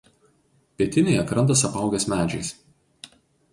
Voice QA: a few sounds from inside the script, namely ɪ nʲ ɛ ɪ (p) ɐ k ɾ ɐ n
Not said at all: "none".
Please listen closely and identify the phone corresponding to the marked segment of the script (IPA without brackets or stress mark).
none